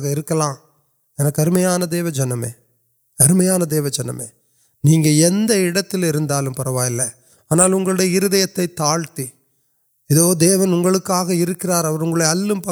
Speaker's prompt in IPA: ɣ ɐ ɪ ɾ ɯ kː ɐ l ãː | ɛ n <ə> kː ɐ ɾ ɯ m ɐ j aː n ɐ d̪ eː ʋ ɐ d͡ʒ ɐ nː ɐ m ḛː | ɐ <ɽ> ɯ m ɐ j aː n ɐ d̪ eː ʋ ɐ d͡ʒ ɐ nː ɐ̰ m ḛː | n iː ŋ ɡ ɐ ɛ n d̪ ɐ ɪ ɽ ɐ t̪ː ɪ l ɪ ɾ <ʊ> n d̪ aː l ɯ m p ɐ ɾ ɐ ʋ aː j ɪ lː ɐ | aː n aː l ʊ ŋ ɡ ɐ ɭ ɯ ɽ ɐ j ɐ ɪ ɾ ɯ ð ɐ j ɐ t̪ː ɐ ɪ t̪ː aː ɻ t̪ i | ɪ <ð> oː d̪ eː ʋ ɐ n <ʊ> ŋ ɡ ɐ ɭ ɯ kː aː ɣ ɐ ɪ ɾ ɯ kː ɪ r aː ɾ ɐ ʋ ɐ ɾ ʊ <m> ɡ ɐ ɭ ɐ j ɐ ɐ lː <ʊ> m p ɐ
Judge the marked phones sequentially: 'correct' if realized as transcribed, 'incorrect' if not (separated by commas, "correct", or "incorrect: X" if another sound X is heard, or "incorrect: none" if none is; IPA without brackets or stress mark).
incorrect: ɐ, incorrect: ɾ, incorrect: ɯ, correct, correct, incorrect: ŋ, incorrect: ɯ